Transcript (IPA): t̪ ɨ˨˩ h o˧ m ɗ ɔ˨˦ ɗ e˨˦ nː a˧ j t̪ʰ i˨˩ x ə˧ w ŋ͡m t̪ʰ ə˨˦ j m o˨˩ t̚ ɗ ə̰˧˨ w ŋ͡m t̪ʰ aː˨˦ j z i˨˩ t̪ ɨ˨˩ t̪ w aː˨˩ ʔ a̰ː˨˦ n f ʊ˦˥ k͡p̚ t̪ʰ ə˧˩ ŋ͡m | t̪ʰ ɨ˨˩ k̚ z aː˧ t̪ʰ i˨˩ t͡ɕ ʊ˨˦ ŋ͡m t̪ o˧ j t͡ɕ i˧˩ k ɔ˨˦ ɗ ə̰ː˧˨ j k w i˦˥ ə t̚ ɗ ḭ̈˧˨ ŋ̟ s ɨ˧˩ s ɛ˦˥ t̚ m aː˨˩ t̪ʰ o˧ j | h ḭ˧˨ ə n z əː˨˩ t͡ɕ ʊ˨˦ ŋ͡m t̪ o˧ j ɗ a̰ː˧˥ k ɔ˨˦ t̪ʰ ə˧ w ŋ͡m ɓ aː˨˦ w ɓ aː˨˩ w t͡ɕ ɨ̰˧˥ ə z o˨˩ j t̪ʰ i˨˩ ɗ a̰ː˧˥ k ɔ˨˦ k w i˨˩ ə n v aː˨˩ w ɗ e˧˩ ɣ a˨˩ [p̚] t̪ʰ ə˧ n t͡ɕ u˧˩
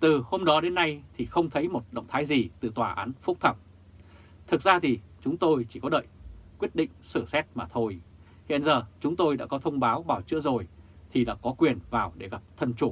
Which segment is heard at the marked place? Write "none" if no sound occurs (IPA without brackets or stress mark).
p̚